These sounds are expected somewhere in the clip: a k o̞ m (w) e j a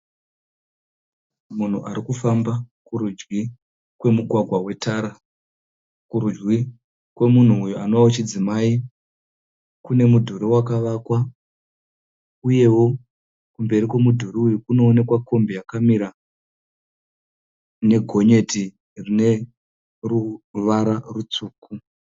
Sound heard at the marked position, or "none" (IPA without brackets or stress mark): b